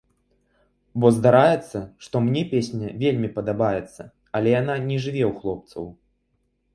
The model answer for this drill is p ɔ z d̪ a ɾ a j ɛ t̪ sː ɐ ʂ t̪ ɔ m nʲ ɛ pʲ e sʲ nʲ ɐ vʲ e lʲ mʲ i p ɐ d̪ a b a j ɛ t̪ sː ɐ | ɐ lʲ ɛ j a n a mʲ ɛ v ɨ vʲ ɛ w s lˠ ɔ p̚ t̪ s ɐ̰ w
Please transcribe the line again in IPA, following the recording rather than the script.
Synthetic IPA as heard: b ɔ z d̪ a ɾ a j ɛ t̪ sː ɐ ʂ t̪ ɔ m nʲ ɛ pʲ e sʲ nʲ ɐ vʲ e lʲ mʲ i p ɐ d̪ a b a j ɛ t̪ sː ɐ | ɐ lʲ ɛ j a n a nʲ ɛ ʐ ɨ vʲ ɛ w x lˠ ɔ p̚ t̪ s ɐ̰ w